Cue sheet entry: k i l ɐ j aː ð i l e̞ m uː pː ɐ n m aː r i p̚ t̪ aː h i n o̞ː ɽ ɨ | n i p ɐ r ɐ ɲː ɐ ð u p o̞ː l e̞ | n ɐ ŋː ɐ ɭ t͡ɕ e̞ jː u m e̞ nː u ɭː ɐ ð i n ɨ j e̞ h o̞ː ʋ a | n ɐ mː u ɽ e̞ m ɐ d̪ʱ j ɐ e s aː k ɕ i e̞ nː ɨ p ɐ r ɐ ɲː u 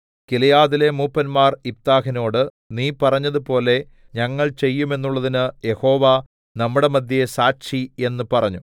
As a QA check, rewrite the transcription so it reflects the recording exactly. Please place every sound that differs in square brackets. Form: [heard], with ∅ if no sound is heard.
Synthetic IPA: k i l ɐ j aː ð i l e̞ m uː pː ɐ n m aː r i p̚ t̪ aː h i n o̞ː ɽ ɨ | n [iː] p ɐ r ɐ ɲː ɐ ð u p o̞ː l e̞ | [ɲ] ɐ ŋː ɐ ɭ t͡ɕ e̞ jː u m e̞ nː u ɭː ɐ ð i n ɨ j e̞ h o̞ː ʋ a | n ɐ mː u ɽ e̞ m ɐ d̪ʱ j ɐ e s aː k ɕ i e̞ nː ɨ p ɐ r ɐ ɲː u